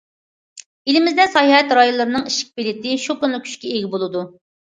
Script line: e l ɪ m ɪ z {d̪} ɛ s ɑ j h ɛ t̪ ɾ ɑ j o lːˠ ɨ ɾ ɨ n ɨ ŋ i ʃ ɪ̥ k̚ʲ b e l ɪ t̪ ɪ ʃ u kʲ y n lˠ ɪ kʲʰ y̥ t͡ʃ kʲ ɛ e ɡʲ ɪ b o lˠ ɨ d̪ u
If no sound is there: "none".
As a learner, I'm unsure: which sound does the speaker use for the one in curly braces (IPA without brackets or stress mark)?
d̪